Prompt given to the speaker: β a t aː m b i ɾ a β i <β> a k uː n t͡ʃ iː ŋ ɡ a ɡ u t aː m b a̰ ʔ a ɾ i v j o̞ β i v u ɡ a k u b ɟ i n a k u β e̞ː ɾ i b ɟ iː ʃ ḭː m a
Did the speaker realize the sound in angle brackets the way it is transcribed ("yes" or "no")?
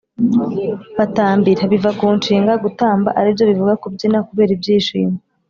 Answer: no